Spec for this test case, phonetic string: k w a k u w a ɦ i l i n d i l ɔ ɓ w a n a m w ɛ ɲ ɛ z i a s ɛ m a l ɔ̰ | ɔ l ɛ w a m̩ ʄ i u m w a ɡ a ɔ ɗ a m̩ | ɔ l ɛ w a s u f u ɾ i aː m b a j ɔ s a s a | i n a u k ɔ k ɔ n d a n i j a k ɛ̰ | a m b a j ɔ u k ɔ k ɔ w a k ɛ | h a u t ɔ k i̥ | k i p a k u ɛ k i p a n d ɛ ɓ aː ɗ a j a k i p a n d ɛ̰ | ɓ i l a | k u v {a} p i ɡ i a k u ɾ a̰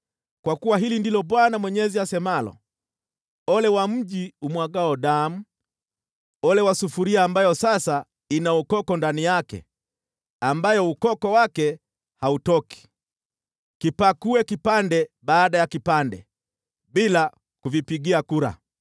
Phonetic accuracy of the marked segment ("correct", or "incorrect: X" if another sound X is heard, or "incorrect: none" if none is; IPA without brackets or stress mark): incorrect: i